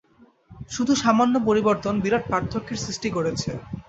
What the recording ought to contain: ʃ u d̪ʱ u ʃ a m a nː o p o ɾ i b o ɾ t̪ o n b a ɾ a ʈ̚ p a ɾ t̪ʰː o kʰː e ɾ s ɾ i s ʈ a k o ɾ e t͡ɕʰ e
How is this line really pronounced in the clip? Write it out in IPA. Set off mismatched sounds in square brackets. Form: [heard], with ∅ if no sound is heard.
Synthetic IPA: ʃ u d̪ʱ u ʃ a m a nː o p o ɾ i b o ɾ t̪ o n b [i] ɾ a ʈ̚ p a ɾ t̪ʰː o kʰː e ɾ s ɾ i s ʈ [i] k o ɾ e t͡ɕʰ e